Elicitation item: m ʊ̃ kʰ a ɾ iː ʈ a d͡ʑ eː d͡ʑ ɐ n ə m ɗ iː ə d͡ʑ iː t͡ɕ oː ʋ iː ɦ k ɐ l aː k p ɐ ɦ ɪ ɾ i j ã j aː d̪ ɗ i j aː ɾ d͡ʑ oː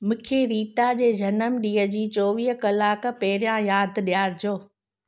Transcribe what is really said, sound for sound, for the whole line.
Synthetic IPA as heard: m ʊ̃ kʰ e ɾ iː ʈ a d͡ʑ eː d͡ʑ ɐ n ə m ɗ iː ə d͡ʑ iː t͡ɕ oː ʋ iː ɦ k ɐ l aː k p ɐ ɦ ɪ ɾ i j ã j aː d̪ ɗ i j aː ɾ d͡ʑ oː

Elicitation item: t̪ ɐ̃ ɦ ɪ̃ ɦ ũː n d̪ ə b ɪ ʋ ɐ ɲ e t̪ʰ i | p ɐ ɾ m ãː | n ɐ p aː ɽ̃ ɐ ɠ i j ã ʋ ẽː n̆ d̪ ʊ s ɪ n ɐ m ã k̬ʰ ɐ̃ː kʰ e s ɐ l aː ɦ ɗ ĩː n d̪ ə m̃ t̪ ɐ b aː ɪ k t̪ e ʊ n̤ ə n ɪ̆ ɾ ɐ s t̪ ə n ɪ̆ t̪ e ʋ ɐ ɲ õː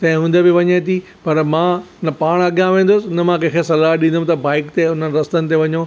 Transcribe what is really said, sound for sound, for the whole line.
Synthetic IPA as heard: t̪ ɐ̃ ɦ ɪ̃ ɦ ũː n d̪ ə b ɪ ʋ ɐ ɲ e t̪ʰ i | p ɐ ɾ m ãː | n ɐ p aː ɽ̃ ɐ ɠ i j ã ʋ ẽː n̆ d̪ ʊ s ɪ n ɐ m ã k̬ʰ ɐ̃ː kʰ e s ɐ l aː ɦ ɗ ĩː n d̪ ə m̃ t̪ ɐ b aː ɪ k t̪ e ʊ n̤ ə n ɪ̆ ɾ ɐ s t̪ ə n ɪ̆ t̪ e ʋ ɐ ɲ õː

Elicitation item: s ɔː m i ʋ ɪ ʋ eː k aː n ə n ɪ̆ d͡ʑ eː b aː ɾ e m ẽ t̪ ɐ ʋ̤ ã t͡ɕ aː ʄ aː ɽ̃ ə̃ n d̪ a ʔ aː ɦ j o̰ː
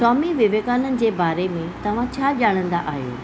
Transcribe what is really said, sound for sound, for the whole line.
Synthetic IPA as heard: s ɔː m i ʋ ɪ ʋ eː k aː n ə n ɪ̆ d͡ʑ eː b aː ɾ e m ẽ t̪ ɐ ʋ̤ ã t͡ɕʰ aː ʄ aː ɽ̃ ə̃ n d̪ a ʔ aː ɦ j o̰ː

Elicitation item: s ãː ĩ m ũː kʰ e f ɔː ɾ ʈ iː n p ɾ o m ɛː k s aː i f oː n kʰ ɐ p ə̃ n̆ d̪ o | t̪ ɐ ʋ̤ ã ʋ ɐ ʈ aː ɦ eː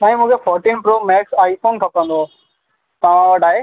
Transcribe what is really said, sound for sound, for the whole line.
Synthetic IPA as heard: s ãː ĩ m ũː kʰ e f ɔː ɾ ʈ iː n p ɾ o m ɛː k s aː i f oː n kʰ ɐ p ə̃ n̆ d̪ o | t̪ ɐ ʋ̤ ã ʋ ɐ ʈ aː ɦ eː

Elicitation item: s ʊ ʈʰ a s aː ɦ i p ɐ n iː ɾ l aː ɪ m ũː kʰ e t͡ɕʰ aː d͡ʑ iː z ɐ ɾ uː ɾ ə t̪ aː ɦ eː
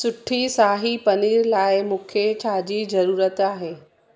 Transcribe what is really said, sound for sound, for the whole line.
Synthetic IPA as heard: s ʊ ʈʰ i s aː ɦ i p ɐ n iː ɾ l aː ɪ m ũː kʰ e t͡ɕʰ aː d͡ʑ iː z ɐ ɾ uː ɾ ə t̪ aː ɦ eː

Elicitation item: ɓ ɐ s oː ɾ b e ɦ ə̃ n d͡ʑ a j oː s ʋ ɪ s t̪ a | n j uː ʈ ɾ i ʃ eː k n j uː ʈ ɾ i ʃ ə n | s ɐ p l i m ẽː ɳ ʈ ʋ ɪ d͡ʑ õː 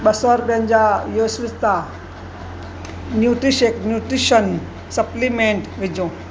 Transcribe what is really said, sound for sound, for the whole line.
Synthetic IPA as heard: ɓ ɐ s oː ɾ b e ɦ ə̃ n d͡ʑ a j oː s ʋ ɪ s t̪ a | n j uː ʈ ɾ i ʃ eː k n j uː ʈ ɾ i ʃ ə n | s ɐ p l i m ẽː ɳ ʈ ʋ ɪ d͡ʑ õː

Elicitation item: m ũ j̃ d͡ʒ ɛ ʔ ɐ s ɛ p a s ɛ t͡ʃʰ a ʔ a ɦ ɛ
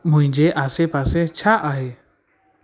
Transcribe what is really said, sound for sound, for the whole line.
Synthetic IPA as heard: m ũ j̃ d͡ʒ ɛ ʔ a s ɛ p a s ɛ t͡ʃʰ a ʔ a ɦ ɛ

